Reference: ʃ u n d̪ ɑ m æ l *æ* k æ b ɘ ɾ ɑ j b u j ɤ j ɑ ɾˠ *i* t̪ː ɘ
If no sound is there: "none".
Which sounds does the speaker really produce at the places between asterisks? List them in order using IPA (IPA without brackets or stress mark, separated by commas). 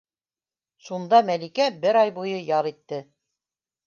i, i